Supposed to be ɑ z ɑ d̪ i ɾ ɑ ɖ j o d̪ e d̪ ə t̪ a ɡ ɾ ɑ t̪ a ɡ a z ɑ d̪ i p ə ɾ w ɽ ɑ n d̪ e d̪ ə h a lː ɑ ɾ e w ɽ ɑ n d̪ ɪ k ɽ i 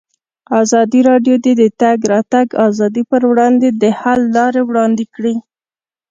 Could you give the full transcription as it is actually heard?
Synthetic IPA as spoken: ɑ z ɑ d̪ i ɾ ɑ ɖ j o d̪ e d̪ ə t̪ a ɡ ɾ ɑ t̪ a ɡ ɑ z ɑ d̪ i p ə ɾ w ɽ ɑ n d̪ e d̪ ə h a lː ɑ ɾ e w ɽ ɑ n d̪ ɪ k ɽ i